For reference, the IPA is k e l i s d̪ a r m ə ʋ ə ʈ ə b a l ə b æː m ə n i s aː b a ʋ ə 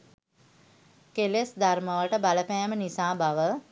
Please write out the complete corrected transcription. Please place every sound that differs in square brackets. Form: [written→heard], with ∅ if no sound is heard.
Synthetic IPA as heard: k e l [i→e] s d̪ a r m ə ʋ ə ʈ ə b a l ə [b→p] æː m ə n i s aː b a ʋ ə